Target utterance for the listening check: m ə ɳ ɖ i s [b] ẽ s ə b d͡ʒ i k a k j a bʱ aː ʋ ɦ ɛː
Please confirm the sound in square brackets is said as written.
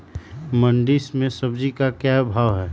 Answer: no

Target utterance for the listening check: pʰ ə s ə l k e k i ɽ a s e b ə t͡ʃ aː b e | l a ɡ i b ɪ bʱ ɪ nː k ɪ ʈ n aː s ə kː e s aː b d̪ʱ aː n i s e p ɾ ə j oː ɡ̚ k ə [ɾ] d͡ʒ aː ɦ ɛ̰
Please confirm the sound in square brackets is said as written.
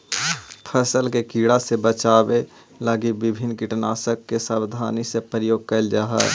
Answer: no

